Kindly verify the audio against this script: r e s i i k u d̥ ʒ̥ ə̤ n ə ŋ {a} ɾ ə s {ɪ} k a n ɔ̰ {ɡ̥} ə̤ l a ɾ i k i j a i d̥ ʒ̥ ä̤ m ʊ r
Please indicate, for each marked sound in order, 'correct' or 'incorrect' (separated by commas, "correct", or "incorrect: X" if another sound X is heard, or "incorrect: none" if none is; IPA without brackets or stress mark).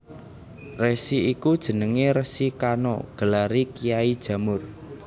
incorrect: e, incorrect: i, correct